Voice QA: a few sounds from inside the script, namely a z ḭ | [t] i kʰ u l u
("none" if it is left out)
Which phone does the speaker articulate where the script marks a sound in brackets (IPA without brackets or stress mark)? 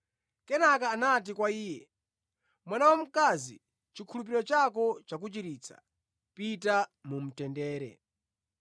t͡ʃ